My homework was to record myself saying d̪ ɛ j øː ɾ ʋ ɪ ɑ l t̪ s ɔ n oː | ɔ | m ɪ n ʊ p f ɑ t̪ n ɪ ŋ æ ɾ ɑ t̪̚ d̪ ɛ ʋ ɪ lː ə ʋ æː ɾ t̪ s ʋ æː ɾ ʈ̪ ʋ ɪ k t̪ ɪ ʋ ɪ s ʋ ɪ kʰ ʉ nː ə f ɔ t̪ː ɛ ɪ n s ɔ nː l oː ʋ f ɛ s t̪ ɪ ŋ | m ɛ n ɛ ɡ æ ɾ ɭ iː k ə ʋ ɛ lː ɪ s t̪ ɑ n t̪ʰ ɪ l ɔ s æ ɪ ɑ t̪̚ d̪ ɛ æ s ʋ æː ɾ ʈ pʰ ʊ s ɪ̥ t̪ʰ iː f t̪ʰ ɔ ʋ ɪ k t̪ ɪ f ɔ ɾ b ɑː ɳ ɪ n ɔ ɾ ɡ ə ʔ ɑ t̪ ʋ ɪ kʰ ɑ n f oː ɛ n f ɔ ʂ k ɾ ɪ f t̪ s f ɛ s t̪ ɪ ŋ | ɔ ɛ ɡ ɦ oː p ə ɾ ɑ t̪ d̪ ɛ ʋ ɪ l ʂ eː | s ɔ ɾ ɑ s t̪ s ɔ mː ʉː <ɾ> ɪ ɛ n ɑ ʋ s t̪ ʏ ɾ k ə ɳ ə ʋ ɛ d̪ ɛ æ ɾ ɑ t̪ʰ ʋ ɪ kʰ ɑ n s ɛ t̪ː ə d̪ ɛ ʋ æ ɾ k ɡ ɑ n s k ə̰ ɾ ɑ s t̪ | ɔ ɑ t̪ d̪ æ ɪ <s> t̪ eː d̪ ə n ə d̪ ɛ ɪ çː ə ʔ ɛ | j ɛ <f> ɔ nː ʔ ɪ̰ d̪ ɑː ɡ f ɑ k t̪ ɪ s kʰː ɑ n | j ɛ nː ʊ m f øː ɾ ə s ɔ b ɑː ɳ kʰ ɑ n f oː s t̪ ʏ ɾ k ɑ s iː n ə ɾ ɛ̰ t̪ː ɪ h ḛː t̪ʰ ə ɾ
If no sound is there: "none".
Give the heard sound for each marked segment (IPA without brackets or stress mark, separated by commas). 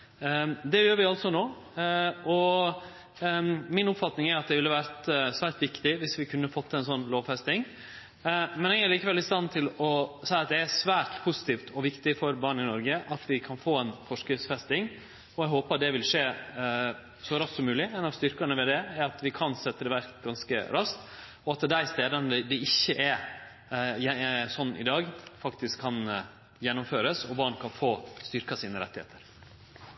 l, s, s